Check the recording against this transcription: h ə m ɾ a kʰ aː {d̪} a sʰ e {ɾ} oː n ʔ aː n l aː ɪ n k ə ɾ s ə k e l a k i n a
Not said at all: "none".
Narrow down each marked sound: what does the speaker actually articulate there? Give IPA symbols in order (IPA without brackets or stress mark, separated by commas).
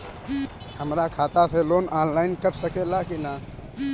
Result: t̪, l